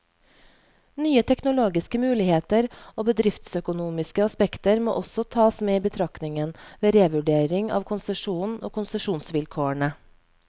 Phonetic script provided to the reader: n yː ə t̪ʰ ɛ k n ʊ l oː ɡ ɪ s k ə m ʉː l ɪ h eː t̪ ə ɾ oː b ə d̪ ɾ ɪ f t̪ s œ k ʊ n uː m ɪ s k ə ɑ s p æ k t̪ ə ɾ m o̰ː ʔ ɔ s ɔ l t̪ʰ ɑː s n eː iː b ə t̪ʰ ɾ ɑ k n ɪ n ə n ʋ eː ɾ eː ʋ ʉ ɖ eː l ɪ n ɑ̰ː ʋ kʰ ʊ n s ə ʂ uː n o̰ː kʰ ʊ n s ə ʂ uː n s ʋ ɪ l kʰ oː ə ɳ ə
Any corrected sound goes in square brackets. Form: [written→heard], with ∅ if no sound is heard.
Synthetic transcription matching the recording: n yː ə t̪ʰ ɛ k n ʊ l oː ɡ ɪ s k ə m ʉː l ɪ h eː t̪ ə ɾ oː b ə d̪ ɾ ɪ f t̪ s œ k ʊ n uː m ɪ s k ə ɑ s p [æ→ɛ] k t̪ ə ɾ m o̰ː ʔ ɔ s ɔ [l→∅] t̪ʰ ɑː s [n→m] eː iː b ə t̪ʰ ɾ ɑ k n ɪ [n→ŋ] ə n ʋ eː ɾ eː ʋ ʉ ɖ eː [l→ɾ] ɪ [n→ŋ] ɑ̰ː ʋ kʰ ʊ n s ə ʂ uː n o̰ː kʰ ʊ n s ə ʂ uː n s ʋ ɪ l kʰ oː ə ɳ ə